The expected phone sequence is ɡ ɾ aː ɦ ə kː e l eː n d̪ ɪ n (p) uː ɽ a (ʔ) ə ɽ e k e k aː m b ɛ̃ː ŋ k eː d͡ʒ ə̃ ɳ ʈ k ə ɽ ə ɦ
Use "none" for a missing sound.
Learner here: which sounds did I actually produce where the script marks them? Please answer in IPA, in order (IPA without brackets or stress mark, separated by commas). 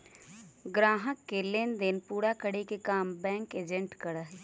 p, k